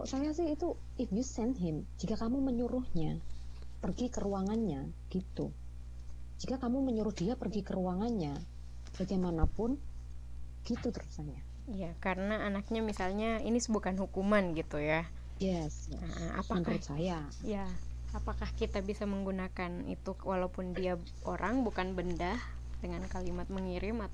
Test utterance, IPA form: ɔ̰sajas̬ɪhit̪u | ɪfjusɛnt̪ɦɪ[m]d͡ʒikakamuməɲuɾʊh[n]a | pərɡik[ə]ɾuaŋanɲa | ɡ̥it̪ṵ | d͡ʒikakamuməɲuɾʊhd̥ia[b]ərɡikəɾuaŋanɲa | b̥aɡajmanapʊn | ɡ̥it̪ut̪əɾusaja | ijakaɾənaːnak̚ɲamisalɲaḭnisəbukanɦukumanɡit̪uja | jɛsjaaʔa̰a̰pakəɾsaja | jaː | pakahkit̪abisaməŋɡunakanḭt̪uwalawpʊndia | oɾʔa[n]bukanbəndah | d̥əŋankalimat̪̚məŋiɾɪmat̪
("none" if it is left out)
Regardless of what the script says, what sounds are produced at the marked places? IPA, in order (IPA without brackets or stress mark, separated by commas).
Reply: m, ɲ, ə, p, ŋ